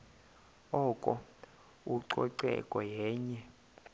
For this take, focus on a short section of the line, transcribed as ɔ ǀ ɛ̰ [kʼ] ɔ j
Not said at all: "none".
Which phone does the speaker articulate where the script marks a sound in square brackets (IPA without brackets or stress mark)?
kʼ